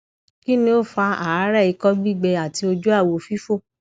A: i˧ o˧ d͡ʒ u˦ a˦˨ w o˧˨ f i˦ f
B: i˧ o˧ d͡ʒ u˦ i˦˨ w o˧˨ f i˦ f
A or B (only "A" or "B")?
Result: A